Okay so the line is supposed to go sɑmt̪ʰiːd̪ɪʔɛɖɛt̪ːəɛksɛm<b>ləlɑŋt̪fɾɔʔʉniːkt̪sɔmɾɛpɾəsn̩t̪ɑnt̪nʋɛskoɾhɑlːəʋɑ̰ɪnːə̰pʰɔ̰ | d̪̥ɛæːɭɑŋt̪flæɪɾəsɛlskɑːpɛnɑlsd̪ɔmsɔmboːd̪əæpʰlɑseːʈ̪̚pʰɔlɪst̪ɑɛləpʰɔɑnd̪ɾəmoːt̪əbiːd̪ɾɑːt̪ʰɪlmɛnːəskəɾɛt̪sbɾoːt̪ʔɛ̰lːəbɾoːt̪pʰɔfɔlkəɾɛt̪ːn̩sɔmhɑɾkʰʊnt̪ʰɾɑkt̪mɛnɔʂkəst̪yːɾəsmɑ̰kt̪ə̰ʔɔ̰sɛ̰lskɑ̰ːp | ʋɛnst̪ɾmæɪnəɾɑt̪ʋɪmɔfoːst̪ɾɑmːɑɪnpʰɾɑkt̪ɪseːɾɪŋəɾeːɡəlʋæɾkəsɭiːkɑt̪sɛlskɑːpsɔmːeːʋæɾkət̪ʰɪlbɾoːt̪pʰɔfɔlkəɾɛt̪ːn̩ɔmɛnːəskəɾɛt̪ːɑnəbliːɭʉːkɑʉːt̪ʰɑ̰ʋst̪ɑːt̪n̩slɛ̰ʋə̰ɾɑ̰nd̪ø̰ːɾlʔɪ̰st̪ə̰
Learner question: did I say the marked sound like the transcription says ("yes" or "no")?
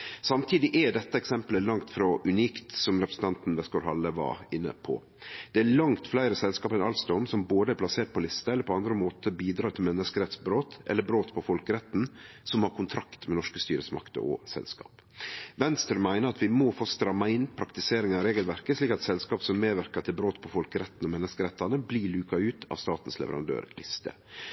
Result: no